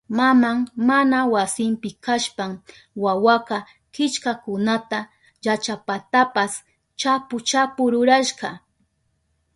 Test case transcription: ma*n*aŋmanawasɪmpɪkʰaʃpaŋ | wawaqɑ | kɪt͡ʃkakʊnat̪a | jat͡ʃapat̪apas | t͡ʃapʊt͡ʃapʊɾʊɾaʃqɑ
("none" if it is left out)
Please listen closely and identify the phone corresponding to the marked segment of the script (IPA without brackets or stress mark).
m